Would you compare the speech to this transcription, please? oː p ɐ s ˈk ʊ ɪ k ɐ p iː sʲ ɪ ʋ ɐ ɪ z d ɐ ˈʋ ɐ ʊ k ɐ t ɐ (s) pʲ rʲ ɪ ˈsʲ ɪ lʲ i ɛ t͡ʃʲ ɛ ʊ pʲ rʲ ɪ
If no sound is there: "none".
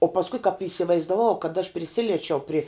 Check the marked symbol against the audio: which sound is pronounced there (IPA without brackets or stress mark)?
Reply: ʃ